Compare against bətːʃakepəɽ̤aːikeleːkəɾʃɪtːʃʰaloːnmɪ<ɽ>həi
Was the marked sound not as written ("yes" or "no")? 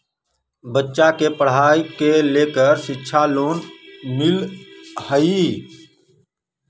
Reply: yes